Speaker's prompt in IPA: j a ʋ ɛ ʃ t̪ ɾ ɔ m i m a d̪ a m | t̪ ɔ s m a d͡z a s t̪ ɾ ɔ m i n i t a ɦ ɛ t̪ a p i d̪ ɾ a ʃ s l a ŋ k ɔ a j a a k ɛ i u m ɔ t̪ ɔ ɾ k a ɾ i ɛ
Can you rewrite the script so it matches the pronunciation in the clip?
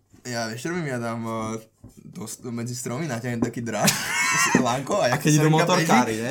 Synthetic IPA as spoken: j a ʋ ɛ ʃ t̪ ɾ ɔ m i m a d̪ a m | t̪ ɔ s m ɛ d͡z i s t̪ ɾ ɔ m i n a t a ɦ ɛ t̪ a k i d̪ ɾ a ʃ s l a ŋ k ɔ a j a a k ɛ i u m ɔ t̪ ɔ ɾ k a ɾ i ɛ